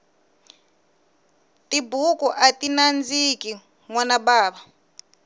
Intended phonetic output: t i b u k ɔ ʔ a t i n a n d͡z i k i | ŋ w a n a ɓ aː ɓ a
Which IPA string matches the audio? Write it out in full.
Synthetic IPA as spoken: t i b u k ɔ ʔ a t i n a n d͡z i k i | ŋ w a n a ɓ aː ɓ a

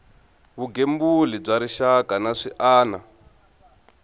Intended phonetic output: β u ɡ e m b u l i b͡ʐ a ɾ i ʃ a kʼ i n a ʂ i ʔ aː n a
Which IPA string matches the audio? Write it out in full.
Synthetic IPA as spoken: β u ɡ e m b u l i b͡ʐ a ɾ i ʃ a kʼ a n a ʂ i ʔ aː n a

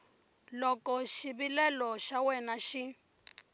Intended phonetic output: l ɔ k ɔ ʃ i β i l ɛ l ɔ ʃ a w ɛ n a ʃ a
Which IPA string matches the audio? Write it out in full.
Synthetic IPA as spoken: l ɔ k ɔ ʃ i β i l ɛ l ɔ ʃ a w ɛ n a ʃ i

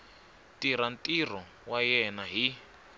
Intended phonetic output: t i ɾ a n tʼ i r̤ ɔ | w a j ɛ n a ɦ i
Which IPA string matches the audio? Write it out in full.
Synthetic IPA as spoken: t i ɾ a n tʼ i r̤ ɔ | w a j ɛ n a ɦ i

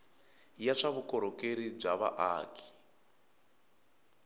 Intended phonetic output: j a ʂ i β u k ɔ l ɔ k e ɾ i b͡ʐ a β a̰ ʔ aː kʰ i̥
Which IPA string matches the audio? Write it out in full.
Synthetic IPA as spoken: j a ʂ a β u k ɔ ɾ ɔ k e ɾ i b͡ʐ a β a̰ ʔ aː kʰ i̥

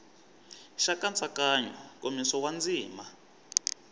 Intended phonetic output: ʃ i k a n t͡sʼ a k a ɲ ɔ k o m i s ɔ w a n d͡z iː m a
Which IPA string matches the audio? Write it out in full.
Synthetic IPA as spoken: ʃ a k a n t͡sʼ a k a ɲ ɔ k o m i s ɔ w a n d͡z iː m a

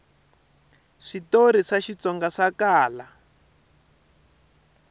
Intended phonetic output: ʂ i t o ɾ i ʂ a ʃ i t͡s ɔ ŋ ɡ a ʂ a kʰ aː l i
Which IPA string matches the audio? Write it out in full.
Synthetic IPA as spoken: ʂ i t o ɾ i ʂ a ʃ i t͡s ɔ ŋ ɡ a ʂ a k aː l a

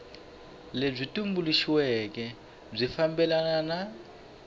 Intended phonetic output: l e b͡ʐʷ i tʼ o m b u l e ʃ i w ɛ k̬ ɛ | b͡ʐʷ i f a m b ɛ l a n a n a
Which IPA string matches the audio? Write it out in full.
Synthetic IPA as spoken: l e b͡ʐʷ i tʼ u m b u l i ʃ i w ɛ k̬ ɛ | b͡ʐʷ i f a m b ɛ l a n a n a

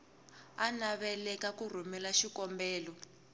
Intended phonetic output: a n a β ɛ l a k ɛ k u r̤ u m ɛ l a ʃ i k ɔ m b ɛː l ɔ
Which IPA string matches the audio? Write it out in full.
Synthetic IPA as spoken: a n a β ɛ l ɛ k a k u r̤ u m ɛ l a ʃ i k ɔ m b ɛː l ɔ

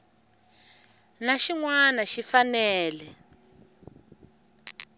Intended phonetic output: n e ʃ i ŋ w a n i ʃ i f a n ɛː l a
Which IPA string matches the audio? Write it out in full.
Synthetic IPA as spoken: n a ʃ i ŋ w a n a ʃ i f a n ɛː l ɛ

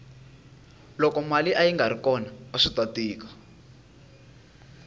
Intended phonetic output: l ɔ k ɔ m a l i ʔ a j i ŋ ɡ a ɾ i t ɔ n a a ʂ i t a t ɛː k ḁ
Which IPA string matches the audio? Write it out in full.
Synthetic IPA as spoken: l ɔ k ɔ m a l i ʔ a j i ŋ ɡ a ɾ i k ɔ n a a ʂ i t a t iː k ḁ

